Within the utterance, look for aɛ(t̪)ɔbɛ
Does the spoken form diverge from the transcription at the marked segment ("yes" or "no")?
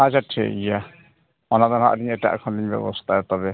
no